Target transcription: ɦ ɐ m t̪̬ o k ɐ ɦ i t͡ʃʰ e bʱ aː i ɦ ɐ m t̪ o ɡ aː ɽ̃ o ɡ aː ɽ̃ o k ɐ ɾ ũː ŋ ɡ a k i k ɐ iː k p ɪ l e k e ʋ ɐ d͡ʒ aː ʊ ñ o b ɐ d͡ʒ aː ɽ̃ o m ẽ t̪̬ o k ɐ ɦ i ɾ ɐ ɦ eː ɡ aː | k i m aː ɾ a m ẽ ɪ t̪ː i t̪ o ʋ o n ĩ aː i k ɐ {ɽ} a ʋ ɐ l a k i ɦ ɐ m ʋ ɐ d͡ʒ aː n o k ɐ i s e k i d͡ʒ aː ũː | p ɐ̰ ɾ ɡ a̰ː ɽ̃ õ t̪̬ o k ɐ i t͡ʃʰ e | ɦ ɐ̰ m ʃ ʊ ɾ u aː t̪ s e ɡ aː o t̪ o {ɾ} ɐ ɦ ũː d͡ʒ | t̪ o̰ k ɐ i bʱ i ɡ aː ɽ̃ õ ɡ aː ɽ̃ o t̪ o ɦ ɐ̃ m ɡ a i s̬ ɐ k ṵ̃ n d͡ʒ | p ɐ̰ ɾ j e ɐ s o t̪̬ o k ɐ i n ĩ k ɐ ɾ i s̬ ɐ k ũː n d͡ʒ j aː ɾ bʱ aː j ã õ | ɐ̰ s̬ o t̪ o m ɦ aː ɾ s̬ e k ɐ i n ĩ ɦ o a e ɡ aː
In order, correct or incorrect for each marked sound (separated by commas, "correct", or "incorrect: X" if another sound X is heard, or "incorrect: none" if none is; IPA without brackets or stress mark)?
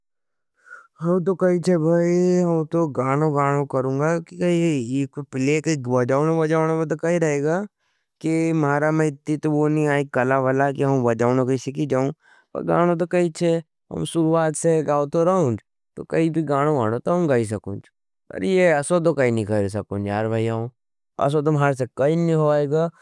incorrect: l, correct